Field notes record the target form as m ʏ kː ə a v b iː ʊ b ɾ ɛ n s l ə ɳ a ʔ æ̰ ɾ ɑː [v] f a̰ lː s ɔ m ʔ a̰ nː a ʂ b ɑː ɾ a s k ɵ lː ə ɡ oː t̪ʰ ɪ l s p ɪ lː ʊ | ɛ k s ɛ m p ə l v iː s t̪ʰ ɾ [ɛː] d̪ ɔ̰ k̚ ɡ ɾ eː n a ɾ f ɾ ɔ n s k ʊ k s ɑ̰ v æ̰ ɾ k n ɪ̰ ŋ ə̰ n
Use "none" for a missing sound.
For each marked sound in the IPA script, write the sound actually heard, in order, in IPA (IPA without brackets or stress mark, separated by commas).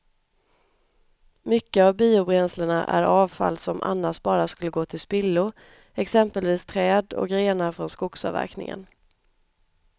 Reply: v, ɛː